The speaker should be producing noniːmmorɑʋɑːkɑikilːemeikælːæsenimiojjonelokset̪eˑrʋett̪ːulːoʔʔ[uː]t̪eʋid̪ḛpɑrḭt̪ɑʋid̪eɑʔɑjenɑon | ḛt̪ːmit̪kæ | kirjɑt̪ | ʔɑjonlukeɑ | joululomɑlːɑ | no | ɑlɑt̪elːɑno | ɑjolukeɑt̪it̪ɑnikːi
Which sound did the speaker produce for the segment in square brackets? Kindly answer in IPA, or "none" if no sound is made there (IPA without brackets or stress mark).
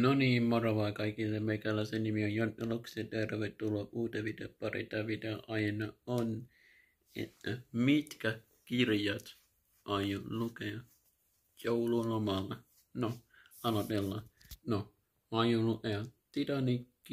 uː